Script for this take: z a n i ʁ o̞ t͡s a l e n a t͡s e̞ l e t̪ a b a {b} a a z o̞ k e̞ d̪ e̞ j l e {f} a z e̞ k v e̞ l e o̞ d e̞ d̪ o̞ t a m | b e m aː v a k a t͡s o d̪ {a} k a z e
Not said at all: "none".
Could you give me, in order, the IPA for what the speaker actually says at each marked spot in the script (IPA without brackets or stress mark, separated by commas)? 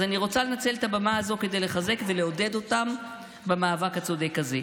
m, χ, e